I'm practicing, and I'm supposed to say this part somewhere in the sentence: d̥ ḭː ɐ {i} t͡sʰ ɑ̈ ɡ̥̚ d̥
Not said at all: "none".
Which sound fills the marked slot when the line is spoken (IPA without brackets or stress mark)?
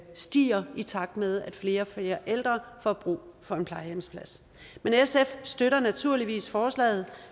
i